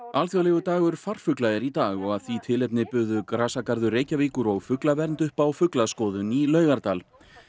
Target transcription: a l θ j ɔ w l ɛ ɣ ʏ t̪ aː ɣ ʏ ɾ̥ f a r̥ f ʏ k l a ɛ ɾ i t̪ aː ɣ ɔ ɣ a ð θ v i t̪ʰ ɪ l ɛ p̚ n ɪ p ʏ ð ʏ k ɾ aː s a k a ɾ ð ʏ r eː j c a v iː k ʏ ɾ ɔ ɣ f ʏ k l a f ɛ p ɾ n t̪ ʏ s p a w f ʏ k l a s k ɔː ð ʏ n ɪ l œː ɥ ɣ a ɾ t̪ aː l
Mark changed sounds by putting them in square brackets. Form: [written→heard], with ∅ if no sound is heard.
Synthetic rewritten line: a l θ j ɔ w l ɛ ɣ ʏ t̪ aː ɣ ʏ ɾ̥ f a r̥ f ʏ k l a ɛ ɾ i t̪ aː ɣ ɔ ɣ a ð θ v i t̪ʰ ɪ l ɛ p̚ n ɪ p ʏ ð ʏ k ɾ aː s a k a ɾ ð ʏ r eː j c a v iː k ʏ ɾ ɔ ɣ f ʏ k l a [f→v] ɛ [p→∅] ɾ n t̪ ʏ [s→h] p a w f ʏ k l a s k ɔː ð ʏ n [ɪ→i] l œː ɥ ɣ a ɾ t̪ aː l